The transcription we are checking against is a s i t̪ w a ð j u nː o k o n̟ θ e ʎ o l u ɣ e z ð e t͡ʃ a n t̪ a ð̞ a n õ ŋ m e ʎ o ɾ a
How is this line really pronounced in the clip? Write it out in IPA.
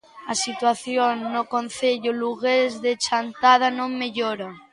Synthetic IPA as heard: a s i t̪ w a θ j o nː o k o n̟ θ e ʎ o l u ɣ e z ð e t͡ʃ a n t̪ a ð̞ a n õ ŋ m e ʎ o ɾ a